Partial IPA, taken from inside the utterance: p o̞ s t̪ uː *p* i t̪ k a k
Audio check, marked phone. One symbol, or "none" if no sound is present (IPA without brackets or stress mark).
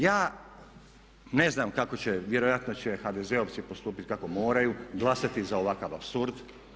p